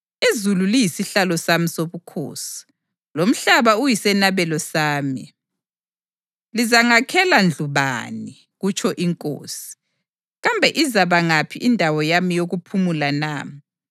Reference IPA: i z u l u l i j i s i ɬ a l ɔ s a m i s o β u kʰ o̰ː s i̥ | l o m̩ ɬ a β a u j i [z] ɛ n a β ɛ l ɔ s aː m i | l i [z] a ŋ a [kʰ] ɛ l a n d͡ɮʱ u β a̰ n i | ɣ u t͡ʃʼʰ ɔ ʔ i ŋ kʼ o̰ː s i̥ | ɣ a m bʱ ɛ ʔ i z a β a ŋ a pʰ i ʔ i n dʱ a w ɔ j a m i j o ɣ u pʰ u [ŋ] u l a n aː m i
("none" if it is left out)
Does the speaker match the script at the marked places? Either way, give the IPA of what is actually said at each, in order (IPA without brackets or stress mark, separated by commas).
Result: s, z, kʰ, m